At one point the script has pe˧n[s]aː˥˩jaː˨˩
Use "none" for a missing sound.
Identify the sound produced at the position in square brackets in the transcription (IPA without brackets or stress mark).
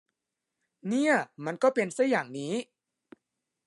s